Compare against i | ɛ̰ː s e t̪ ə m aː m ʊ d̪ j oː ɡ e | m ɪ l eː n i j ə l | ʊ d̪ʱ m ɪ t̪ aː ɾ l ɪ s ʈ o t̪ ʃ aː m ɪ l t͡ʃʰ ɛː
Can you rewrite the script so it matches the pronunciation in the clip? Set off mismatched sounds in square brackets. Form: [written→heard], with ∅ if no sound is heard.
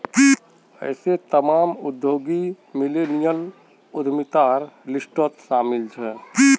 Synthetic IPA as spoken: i | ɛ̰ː s e t̪ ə m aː m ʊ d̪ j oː ɡ [e→i] | m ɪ l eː n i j ə l | ʊ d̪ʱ m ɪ t̪ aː ɾ l ɪ s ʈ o t̪ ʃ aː m ɪ l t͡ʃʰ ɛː